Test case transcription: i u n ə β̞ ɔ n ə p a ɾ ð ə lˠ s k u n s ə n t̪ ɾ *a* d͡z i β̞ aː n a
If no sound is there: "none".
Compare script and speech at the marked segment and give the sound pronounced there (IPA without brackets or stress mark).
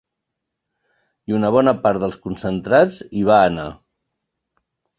a